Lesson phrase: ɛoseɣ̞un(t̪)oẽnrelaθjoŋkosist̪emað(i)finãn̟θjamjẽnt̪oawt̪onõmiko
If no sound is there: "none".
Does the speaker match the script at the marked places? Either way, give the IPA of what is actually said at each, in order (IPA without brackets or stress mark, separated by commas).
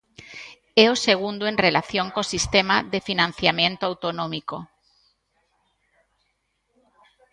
d̪, e